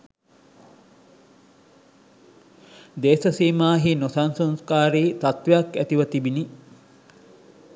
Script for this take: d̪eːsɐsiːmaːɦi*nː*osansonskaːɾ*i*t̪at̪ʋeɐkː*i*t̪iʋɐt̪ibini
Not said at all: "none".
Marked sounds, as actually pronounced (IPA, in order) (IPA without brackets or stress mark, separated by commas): n, iː, æ